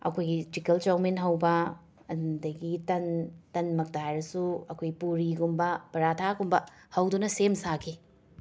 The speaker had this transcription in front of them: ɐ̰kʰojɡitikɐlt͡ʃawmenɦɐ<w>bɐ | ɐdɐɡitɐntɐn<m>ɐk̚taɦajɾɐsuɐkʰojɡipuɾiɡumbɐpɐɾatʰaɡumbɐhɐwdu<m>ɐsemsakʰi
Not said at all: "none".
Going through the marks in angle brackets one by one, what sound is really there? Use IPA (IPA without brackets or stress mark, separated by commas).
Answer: w, m, n